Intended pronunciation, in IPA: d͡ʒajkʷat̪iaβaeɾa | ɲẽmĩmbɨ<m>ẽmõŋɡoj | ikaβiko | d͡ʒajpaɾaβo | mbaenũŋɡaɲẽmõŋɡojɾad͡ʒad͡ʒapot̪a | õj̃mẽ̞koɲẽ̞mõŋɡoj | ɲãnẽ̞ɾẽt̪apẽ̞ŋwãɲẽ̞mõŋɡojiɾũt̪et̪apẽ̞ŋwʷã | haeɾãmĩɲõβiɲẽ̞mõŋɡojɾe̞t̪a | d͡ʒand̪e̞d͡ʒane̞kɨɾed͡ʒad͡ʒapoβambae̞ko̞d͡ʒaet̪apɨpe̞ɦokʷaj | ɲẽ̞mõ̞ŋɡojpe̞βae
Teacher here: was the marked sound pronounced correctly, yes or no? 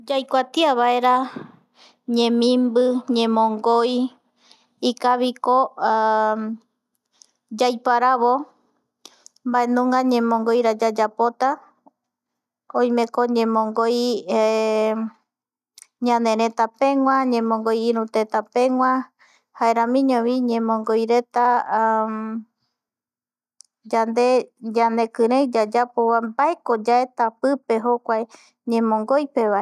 no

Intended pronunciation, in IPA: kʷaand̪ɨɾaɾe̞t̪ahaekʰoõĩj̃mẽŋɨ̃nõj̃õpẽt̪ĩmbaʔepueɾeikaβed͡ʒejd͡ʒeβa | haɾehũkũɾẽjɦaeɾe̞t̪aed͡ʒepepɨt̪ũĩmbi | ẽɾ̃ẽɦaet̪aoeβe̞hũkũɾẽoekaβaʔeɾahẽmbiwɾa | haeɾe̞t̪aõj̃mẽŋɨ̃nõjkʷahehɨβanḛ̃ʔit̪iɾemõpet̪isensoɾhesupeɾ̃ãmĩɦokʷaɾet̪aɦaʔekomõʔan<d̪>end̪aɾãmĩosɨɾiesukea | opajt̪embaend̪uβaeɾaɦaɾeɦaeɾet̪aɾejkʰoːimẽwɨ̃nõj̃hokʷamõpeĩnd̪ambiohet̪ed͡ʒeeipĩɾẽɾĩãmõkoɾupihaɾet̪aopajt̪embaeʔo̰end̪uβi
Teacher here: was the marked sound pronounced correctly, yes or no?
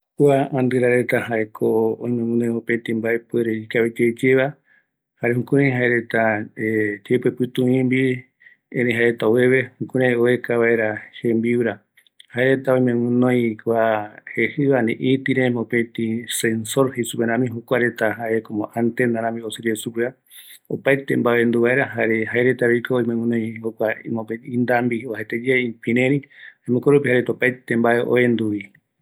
no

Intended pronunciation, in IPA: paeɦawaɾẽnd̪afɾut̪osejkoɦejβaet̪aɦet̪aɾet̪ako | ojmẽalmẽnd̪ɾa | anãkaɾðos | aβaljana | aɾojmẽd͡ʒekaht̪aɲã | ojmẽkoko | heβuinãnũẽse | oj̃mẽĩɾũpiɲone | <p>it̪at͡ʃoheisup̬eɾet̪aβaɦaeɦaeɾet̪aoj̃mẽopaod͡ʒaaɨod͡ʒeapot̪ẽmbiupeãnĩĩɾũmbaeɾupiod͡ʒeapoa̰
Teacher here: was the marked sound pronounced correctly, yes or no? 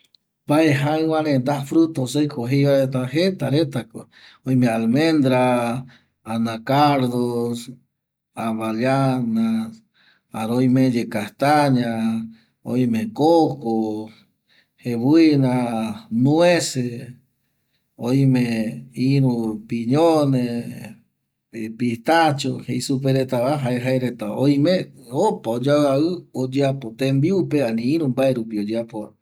yes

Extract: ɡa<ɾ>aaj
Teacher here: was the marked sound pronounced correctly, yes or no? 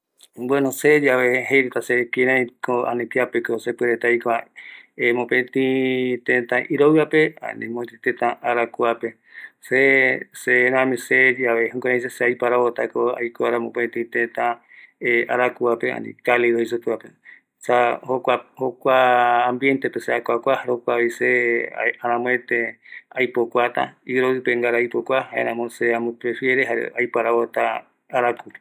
yes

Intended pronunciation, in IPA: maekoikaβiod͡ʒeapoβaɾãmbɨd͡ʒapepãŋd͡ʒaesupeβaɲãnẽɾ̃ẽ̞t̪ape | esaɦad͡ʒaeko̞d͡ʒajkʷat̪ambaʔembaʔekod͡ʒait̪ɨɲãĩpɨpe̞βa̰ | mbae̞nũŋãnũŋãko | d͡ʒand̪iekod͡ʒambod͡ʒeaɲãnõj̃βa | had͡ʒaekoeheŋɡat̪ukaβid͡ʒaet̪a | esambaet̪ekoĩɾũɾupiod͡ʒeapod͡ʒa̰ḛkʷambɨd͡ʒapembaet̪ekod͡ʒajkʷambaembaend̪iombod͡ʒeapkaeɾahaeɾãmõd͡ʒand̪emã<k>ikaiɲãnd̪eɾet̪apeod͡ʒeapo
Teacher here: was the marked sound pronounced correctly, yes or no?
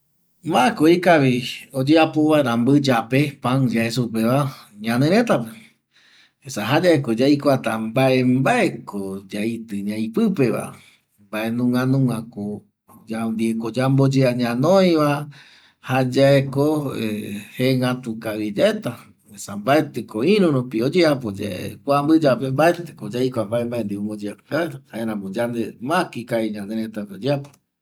yes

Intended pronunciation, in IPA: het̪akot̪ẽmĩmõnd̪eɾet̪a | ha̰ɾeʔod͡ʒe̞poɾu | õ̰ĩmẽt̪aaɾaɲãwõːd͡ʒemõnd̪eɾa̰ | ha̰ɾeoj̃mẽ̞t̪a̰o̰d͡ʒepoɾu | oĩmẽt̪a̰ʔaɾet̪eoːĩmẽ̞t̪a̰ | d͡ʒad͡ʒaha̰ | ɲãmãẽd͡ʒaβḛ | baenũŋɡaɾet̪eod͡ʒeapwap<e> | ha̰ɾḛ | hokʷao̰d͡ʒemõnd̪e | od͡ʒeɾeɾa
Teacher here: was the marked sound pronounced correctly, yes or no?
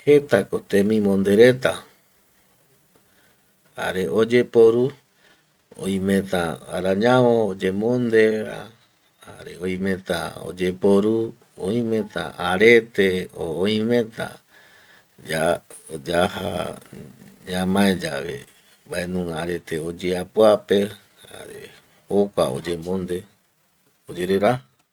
yes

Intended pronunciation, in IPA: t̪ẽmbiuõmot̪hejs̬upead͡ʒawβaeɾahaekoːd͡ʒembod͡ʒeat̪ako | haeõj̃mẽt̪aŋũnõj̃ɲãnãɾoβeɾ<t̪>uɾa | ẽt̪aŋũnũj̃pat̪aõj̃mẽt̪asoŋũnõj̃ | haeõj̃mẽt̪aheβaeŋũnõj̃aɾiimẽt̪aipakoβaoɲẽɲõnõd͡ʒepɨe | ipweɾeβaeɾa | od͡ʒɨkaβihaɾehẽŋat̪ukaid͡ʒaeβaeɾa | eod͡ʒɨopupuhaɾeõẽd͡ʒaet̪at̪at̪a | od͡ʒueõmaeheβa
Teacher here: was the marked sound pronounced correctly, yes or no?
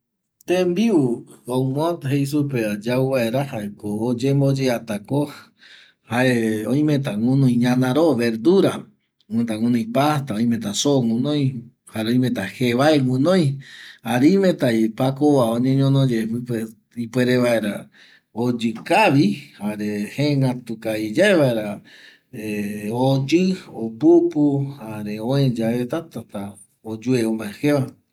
no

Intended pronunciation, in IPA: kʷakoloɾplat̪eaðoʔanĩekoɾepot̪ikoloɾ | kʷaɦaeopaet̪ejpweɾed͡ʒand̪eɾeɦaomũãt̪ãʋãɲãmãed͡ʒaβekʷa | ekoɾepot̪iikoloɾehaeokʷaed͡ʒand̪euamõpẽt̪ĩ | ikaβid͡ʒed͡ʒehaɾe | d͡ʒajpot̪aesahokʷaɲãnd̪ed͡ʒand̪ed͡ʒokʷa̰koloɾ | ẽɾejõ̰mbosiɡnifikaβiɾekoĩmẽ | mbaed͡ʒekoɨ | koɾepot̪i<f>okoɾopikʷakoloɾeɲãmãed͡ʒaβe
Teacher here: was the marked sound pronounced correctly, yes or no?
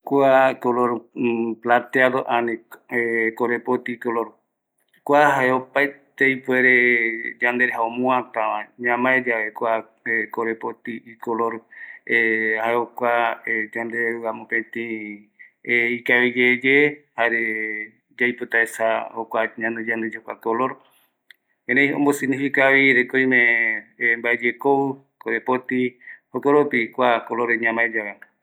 no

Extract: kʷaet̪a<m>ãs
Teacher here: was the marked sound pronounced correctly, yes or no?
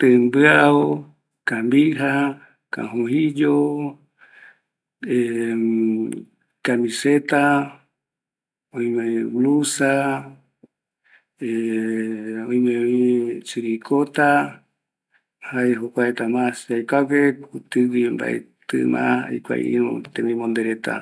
yes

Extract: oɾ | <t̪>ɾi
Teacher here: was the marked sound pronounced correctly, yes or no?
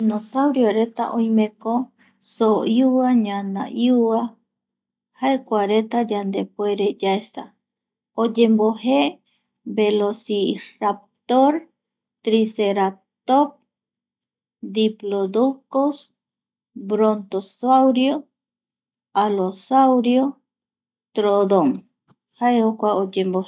yes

